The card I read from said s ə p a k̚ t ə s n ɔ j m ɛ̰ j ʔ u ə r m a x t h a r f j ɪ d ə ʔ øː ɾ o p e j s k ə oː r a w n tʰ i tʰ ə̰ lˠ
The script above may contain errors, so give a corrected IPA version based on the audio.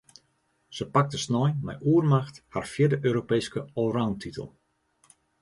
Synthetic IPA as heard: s ə p a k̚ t ə s n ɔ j m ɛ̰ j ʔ u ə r m a x t h a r f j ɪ d ə ʔ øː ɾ o p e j s k ə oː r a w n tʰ i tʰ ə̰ lˠ